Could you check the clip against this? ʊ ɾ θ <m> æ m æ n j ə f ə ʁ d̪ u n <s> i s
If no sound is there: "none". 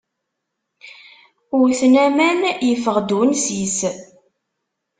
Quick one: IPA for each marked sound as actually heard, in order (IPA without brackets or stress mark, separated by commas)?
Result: n, s